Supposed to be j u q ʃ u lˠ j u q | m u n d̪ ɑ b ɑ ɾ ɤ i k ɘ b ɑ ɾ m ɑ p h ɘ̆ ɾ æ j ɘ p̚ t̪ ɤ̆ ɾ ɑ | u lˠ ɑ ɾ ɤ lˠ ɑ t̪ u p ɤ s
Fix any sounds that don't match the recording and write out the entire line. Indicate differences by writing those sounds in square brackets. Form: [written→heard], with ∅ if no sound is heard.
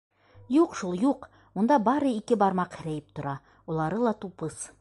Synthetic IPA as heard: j u q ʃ u lˠ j u q | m u n d̪ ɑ b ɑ ɾ ɤ i k ɘ b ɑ ɾ m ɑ [p→q] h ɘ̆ ɾ æ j ɘ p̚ t̪ [ɤ̆→ŏ] ɾ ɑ | u lˠ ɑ ɾ ɤ lˠ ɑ t̪ u p ɤ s